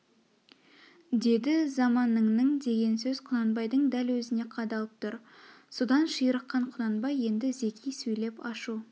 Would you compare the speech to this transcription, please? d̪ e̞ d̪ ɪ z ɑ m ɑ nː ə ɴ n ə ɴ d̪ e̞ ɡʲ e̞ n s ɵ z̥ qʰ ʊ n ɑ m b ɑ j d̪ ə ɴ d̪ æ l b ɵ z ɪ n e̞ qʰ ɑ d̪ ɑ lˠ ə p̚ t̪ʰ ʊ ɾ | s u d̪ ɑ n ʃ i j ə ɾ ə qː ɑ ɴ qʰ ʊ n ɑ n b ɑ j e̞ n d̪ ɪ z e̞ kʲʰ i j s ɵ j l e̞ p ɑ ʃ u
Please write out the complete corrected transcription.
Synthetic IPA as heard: d̪ e̞ d̪ ɪ z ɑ m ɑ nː ə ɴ n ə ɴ d̪ e̞ ɡʲ e̞ n s ɵ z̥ qʰ ʊ n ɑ n b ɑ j d̪ ə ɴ d̪ æ l w ɵ z ɪ n e̞ qʰ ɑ d̪ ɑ lˠ ə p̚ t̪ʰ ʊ ɾ | s o d̪ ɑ n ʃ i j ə ɾ ə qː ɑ ɴ qʰ ʊ n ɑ n b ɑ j e̞ n d̪ ɪ z e̞ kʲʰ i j s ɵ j l e̞ p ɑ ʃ u

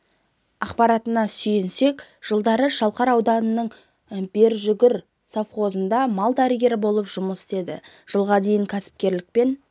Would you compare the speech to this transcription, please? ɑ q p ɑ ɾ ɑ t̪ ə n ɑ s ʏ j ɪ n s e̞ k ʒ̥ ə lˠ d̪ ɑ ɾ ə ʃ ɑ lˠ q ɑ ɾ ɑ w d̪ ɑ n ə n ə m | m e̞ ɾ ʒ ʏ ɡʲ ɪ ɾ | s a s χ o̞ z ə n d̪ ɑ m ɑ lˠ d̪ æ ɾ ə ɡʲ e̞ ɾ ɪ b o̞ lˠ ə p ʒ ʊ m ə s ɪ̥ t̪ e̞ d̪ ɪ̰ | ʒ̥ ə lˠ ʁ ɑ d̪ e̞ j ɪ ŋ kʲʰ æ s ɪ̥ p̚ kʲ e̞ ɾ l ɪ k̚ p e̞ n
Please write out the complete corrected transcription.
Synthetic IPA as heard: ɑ q p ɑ ɾ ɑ t̪ ə n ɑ s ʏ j ɪ n s e̞ k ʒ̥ ə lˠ d̪ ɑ ɾ ə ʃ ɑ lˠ q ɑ ɾ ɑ w d̪ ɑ n ə n ə ɴ | b e̞ ɾ ʒ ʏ ɡʲ ɪ ɾ | s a f χ o̞ z ə n d̪ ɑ m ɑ lˠ d̪ æ ɾ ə ɡʲ e̞ ɾ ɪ b o̞ lˠ ə p ʒ ʊ m ə s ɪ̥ t̪ e̞ d̪ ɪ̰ | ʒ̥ ə lˠ ʁ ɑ d̪ e̞ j ɪ ŋ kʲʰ æ s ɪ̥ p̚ kʲ e̞ ɾ l ɪ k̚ p e̞ n

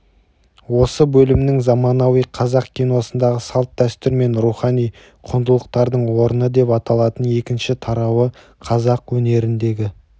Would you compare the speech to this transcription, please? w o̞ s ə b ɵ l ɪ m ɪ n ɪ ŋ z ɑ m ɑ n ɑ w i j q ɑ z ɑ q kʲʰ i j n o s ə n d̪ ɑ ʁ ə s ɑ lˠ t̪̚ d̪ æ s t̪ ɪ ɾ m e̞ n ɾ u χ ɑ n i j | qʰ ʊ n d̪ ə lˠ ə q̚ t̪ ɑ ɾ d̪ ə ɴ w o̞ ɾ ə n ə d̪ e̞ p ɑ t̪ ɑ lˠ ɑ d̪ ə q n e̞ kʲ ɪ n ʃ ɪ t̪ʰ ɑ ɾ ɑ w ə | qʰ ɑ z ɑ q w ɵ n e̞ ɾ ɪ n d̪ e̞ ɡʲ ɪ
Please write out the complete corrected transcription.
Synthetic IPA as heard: w o̞ s ə b ɵ l ɪ m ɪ n ɪ ŋ z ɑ m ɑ n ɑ w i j qʰ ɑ z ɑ q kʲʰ i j n o s ə n d̪ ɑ ʁ ə s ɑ lˠ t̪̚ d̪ æ s t̪ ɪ ɾ m e̞ n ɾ u χ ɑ n i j | qʰ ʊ n d̪ ə lˠ ə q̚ t̪ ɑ ɾ d̪ ə ɴ w o̞ ɾ ə n ə d̪ e̞ p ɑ t̪ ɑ lˠ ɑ t̪ ə n e̞ kʲ ɪ n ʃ ɪ t̪ʰ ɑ ɾ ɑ w ə | qʰ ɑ z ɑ q w ɵ n e̞ ɾ ɪ n d̪ e̞ ɡʲ ɪ

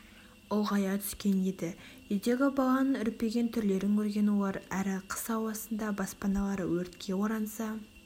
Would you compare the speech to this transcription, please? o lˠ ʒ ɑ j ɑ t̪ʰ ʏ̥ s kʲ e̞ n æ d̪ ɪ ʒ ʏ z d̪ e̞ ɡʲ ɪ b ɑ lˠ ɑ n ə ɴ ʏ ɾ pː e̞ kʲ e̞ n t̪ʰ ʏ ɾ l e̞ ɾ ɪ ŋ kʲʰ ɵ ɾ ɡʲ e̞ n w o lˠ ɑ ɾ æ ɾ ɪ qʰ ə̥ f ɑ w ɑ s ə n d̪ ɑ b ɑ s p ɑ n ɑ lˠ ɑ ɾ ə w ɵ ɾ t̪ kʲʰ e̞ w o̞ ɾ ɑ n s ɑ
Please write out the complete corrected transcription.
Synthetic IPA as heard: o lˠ ʁ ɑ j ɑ t̪ʰ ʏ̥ s kʲ e̞ n e d̪ ɪ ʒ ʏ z d̪ e̞ ɡʲ ɪ b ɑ lˠ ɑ n ə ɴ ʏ ɾ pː e̞ ɡʲ e̞ n t̪ʰ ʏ ɾ l e̞ ɾ ɪ ŋ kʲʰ ɵ ɾ ɡʲ e̞ n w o lˠ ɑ ɾ æ ɾ ɪ qʰ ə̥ s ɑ w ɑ s ə n d̪ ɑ b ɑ s p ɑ n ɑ lˠ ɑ ɾ ə w ɵ ɾ t̪ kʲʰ e̞ w o̞ ɾ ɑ n s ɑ

